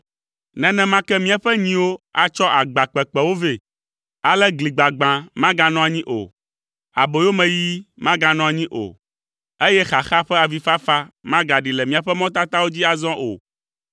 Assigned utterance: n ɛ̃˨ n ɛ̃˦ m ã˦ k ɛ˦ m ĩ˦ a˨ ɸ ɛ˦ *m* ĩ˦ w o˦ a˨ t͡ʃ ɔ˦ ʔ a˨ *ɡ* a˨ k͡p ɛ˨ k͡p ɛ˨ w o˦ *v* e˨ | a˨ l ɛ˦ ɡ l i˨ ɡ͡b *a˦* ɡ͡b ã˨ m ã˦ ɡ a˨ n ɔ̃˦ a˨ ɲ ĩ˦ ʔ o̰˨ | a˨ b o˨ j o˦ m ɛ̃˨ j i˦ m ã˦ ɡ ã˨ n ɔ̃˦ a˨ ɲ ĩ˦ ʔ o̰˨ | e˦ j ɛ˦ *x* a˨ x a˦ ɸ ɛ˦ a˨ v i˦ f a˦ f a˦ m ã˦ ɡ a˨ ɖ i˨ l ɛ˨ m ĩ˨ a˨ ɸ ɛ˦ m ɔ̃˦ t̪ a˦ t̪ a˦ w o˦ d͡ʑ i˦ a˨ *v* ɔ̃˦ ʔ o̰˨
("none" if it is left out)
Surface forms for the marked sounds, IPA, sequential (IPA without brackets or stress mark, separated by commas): ɲ, ɡ͡b, v, a˨, x, z